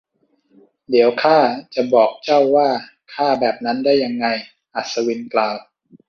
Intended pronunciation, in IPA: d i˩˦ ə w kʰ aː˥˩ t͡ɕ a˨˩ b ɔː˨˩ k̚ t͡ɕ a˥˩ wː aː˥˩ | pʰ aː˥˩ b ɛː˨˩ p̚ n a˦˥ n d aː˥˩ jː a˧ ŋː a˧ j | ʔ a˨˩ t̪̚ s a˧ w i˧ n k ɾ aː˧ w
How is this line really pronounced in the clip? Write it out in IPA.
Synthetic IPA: d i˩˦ ə w kʰ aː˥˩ t͡ɕ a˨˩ b ɔː˨˩ k̚ t͡ɕ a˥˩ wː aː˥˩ | kʰ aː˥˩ b ɛː˨˩ p̚ n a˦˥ n d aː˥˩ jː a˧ ŋː a˧ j | ʔ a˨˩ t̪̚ s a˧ w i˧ n k l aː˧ w